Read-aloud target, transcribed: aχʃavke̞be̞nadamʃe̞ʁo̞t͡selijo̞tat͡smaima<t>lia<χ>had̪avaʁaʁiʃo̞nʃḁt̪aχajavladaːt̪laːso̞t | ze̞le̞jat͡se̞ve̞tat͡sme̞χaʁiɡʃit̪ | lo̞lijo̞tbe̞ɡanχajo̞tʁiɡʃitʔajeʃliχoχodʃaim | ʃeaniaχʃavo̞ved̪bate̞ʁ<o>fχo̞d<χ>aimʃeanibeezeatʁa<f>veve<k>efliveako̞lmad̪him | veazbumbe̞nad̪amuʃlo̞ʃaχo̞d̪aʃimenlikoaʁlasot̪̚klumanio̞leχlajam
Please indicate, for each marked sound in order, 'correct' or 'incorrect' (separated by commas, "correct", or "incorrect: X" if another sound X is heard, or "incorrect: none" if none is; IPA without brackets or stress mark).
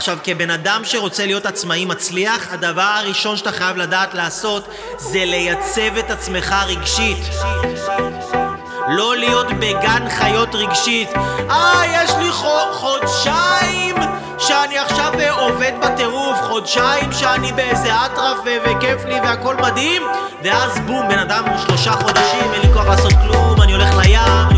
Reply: incorrect: t͡s, correct, incorrect: u, incorrect: ʃ, correct, correct